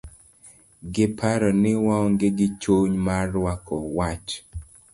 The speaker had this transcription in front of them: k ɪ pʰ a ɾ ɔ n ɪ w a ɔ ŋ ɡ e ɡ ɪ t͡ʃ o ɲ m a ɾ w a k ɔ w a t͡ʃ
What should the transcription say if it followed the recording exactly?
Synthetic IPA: ɡ ɪ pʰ a ɾ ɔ n ɪ w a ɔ ŋ ɡ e ɡ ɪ t͡ʃ o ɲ m a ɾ w a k ɔ w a t͡ʃ